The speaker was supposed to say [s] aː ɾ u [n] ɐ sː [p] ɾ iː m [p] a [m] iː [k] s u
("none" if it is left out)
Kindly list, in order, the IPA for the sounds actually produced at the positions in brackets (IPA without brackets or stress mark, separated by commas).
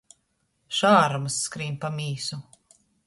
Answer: ʃ, m, k, p, m, none